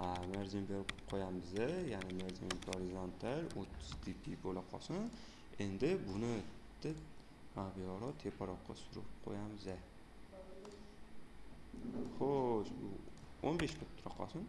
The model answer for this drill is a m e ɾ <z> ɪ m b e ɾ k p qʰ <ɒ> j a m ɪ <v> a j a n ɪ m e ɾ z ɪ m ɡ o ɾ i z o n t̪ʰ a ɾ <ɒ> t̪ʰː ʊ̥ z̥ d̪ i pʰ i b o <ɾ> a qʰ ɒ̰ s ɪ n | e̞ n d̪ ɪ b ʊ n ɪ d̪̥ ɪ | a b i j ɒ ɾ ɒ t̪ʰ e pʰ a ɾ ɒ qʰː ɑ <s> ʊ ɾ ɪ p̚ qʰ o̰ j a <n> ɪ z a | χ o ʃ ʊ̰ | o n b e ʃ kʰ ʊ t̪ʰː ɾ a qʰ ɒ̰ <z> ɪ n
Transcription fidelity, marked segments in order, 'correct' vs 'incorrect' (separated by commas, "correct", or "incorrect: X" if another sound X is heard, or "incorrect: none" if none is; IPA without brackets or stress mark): correct, incorrect: o, incorrect: z, incorrect: o, incorrect: l, correct, incorrect: m, incorrect: s